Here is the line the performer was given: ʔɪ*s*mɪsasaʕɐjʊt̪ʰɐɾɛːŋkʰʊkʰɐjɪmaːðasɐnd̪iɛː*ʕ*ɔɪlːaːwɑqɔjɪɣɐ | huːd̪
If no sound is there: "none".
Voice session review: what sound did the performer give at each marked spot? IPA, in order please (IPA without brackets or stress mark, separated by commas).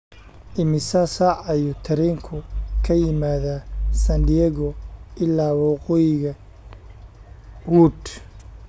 none, ɣ